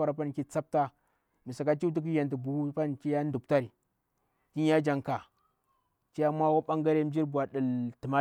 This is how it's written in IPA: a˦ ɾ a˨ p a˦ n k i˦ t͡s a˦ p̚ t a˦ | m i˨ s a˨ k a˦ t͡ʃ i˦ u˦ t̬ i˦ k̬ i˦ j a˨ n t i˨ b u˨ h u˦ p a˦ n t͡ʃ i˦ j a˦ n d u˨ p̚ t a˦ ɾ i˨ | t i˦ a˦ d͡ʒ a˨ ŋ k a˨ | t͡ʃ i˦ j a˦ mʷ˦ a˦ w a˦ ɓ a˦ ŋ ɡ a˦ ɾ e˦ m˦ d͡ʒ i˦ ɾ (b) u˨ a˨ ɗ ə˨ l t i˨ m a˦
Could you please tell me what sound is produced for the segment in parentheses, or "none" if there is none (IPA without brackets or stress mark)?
b